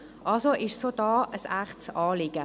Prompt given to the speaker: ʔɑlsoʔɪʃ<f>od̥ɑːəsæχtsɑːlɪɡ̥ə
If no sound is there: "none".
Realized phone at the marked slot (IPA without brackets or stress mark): s